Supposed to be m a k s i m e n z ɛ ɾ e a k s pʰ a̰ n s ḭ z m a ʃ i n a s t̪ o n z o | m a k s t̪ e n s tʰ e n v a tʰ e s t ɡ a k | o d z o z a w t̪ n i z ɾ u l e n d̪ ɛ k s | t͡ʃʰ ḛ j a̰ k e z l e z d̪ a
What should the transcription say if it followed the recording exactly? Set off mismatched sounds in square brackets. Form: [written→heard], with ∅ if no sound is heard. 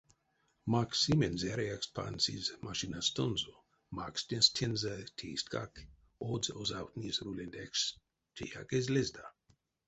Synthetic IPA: m a k s i m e n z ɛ ɾ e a k s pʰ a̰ n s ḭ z m a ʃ i n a s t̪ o n z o | m a k s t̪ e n s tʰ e n [v→z] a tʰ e s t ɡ a k | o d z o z a w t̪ n i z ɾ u l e n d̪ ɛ k s | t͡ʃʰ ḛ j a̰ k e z l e z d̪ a